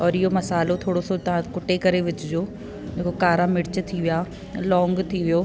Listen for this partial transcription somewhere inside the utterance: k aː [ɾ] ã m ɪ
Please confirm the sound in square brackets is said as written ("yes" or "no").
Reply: yes